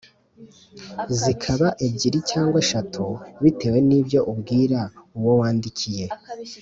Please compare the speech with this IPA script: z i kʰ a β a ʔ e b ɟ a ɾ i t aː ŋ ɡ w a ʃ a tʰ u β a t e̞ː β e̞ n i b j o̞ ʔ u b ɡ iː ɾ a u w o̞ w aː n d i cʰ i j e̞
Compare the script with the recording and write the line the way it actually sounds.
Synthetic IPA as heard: z i kʰ a β a ʔ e b ɟ i ɾ i c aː ŋ ɡ w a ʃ a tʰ u β i t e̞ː w e̞ n i b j o̞ ʔ u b ɡ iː ɾ a u w o̞ w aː n d i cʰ i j e̞